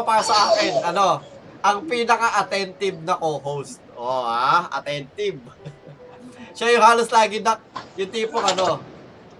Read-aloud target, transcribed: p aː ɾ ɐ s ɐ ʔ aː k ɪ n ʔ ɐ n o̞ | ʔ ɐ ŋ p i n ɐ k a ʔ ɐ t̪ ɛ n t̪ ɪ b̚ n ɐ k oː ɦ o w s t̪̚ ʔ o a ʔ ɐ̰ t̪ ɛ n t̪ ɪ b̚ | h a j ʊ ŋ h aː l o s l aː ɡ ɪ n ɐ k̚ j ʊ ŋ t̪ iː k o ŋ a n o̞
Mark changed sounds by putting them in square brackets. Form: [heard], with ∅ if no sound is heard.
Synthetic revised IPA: p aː ɾ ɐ s ɐ ʔ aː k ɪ n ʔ ɐ n o̞ | ʔ ɐ ŋ p i n ɐ k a ʔ ɐ t̪ ɛ n t̪ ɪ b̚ n ɐ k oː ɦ o w s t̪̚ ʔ o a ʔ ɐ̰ t̪ ɛ n t̪ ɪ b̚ | [ʃ] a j ʊ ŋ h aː l o s l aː ɡ ɪ n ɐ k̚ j ʊ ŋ t̪ iː [p] o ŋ [ɐ] n o̞